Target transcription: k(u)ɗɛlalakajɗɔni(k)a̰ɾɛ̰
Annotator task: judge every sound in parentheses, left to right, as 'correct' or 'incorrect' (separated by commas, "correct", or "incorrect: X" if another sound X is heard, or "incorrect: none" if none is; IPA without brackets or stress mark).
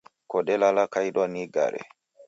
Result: incorrect: ɔ, incorrect: ɡ